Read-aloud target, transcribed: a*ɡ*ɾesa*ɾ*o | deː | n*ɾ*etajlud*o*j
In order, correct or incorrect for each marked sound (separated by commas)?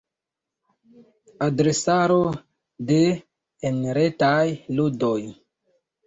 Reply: incorrect, correct, correct, correct